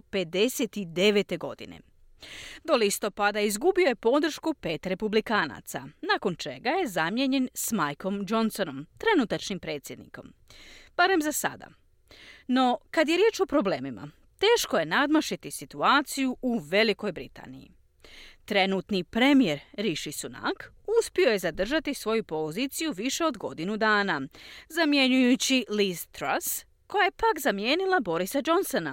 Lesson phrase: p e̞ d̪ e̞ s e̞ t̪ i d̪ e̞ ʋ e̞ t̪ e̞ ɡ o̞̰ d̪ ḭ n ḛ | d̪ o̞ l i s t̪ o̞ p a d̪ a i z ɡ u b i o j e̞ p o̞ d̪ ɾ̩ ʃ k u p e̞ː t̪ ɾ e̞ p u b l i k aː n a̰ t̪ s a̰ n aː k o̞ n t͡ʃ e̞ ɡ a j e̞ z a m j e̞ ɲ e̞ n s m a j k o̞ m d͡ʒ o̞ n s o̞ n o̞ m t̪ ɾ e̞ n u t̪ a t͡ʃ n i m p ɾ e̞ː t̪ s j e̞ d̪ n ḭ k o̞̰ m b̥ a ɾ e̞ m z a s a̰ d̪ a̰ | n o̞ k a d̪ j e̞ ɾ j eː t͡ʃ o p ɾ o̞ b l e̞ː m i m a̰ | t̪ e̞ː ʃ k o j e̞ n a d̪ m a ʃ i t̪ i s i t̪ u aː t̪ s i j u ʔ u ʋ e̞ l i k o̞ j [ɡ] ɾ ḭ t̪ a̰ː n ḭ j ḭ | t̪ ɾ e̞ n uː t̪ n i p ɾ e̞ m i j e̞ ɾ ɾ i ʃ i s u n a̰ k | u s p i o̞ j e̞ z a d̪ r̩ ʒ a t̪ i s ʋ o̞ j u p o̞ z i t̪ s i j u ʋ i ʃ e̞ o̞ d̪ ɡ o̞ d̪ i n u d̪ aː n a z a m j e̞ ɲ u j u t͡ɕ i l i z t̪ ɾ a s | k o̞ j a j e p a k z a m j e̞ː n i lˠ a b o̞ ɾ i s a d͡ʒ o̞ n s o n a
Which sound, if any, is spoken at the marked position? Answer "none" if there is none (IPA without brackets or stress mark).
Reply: b